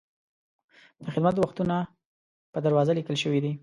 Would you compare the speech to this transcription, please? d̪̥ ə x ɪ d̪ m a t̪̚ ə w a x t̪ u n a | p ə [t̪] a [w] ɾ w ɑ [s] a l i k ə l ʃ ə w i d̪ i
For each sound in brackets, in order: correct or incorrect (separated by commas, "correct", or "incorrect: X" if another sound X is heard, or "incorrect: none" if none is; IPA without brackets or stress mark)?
incorrect: d̪, incorrect: none, incorrect: z